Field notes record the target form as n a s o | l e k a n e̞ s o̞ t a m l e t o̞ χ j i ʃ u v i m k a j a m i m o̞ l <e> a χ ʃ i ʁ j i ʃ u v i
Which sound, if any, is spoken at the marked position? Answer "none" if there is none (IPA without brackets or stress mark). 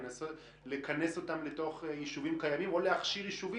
e